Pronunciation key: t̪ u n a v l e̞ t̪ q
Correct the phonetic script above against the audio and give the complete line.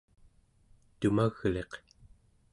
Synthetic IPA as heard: t̪ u m a ɣ l e̞ q